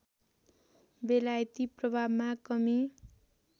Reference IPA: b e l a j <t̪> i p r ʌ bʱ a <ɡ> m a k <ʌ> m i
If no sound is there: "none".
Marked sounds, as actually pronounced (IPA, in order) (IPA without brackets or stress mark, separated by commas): t̪, b, ʌ